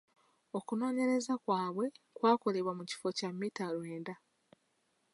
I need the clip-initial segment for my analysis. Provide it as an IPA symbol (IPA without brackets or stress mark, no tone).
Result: o̞